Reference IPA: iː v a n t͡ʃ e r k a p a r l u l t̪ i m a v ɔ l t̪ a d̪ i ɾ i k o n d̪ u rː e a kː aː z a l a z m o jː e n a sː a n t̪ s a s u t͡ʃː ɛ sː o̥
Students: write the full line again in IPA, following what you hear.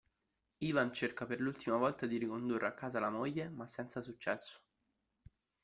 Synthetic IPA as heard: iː v a n t͡ʃ e r k a p e r l u l t̪ i m a v ɔ l t̪ a d̪ i ɾ i k o n d̪ u rː e a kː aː z a l a m o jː e m a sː ɛ n t̪ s a s u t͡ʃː ɛ sː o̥